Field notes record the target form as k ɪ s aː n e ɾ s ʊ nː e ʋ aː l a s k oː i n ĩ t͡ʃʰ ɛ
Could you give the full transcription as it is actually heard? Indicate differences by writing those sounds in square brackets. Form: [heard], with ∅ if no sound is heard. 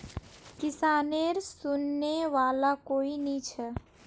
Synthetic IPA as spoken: k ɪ s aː n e ɾ s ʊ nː e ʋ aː l a [∅] k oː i n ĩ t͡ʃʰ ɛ